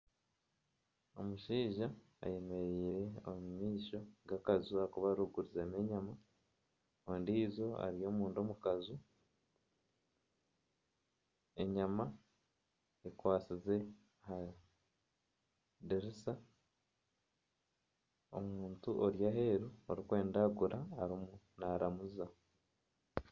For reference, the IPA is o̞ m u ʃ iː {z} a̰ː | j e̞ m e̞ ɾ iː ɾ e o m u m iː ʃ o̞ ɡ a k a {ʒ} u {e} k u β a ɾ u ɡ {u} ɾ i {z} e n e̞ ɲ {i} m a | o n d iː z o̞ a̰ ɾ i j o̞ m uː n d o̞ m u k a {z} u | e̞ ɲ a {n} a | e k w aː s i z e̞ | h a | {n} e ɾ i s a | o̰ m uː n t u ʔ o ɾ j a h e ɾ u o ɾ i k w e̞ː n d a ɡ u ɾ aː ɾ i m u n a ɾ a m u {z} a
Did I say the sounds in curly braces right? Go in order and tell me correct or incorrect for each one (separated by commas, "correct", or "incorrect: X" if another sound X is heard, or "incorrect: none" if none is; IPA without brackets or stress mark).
incorrect: ʒ, incorrect: z, incorrect: a, correct, correct, incorrect: a, correct, incorrect: m, incorrect: d, correct